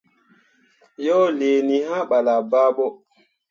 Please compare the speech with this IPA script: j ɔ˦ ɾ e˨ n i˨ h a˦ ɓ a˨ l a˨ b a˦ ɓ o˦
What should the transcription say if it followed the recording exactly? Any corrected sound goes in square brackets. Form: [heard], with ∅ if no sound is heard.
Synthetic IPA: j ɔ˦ [l] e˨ n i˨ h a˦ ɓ a˨ l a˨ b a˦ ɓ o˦